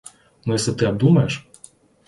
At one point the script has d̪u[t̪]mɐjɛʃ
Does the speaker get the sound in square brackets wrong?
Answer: yes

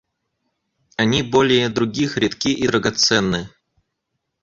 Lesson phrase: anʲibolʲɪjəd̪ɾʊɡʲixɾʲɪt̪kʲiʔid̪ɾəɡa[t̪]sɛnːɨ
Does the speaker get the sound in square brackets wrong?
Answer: no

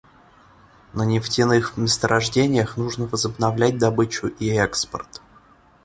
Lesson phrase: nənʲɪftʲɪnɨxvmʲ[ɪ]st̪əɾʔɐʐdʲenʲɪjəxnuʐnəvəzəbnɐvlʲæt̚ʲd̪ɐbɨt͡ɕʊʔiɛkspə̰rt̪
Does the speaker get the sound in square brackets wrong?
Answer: no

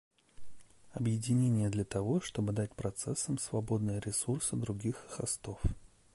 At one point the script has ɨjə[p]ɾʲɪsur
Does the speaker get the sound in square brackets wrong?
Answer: yes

